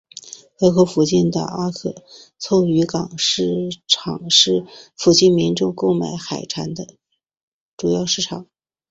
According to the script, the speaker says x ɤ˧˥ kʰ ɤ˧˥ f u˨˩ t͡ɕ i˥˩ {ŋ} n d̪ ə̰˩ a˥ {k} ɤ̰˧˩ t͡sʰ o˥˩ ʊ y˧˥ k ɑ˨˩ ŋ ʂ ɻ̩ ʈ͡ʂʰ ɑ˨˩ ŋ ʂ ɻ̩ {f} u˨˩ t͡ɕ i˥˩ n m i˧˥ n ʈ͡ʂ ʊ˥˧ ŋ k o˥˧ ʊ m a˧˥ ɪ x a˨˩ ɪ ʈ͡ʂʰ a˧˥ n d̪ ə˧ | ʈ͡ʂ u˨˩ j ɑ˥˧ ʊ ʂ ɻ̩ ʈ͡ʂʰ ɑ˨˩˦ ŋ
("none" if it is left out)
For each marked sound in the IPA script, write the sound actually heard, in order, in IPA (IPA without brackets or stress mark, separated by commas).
none, kʰ, f